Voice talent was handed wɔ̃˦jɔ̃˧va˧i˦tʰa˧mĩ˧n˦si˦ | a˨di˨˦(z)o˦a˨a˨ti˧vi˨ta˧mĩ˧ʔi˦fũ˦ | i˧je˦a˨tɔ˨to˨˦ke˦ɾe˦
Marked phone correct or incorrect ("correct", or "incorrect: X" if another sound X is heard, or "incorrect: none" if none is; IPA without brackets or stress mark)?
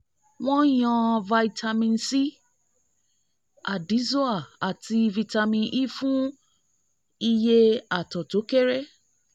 correct